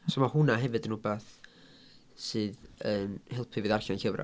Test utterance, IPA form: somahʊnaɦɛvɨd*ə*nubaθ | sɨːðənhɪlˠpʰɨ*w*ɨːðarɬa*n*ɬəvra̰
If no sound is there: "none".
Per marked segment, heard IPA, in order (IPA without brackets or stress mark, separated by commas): ə, v, n